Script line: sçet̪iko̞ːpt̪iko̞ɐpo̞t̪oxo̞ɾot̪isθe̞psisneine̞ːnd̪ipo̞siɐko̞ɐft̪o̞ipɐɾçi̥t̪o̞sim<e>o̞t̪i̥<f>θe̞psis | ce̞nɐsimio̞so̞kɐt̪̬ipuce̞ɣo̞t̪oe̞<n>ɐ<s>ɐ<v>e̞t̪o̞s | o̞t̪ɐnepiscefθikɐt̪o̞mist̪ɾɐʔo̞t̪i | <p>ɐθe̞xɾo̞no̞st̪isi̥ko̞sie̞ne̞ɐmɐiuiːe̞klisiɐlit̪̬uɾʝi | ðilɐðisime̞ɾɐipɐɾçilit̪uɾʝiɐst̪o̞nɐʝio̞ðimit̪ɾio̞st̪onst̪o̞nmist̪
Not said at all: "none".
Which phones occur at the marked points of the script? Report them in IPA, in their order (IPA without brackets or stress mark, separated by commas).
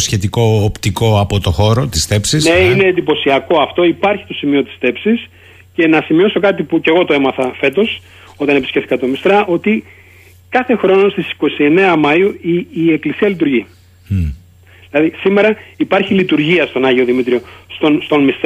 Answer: i, s, m, θ, f, k